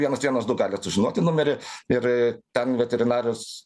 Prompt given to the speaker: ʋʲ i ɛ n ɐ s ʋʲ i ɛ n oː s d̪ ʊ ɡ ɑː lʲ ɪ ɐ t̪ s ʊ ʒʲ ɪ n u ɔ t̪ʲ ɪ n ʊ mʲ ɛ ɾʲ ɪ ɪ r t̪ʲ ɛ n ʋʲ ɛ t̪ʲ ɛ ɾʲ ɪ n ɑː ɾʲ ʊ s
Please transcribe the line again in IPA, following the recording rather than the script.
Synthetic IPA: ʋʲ i ɛ n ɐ s ʋʲ i ɛ n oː s d̪ ʊ ɡ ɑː lʲ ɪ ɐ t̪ s ʊ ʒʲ ɪ n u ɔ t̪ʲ ɪ n ʊ mʲ ɛ ɾʲ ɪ ɪ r t̪ʲ ɛ n ʋʲ ɛ t̪ʲ ɛ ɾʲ ɪ n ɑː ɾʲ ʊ s